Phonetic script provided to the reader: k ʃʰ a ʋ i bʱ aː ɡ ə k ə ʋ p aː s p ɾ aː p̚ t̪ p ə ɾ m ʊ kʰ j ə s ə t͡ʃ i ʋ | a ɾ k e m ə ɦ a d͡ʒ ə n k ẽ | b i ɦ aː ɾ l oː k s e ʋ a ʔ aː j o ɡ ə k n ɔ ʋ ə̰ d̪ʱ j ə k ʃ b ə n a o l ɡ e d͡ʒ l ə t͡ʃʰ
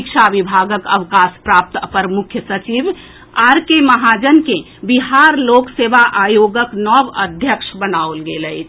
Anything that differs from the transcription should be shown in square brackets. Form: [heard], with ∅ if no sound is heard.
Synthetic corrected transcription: k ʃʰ a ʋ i bʱ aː ɡ ə k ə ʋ [k] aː s p ɾ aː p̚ t̪ p ə ɾ m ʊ kʰ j ə s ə t͡ʃ i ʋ | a ɾ k e m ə ɦ a d͡ʒ ə n k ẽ | b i ɦ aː ɾ l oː k s e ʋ a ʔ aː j o ɡ ə k n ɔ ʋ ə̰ d̪ʱ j ə k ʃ b ə n a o l ɡ e [∅] l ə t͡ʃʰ